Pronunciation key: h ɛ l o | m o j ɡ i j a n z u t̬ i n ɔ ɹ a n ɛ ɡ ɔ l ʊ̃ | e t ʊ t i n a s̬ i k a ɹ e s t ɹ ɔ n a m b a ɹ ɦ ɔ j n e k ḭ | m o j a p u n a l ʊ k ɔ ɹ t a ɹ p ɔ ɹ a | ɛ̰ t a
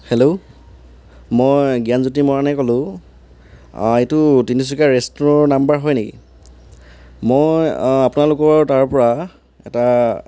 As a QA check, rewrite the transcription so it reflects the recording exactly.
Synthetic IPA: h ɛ l o | m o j ɡ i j a n z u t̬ i m ɔ ɹ a n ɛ k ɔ l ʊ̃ | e t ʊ t i n i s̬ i k a ɹ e s t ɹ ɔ n a m b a ɹ ɦ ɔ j n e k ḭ | m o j a p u n a l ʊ k ɔ ɹ t a ɹ p ɔ ɹ a | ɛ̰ t a